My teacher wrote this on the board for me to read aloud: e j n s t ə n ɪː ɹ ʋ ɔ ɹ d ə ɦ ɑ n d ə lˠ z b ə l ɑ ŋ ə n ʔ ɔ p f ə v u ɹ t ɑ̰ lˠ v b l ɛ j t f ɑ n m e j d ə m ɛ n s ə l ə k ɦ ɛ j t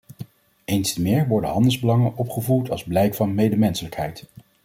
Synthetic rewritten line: e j n s t ə m ɪː ɹ ʋ ɔ ɹ d ə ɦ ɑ n d ə lˠ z b ə l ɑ ŋ ə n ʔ ɔ p χ ə v u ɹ t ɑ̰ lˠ z b l ɛ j k f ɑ n m e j d ə m ɛ n s ə l ə k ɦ ɛ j t